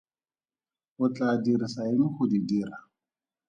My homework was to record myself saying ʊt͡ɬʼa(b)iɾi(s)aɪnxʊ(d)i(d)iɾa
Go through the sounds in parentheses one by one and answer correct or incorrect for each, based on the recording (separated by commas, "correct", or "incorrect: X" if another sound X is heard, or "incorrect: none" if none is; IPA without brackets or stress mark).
incorrect: d, correct, correct, correct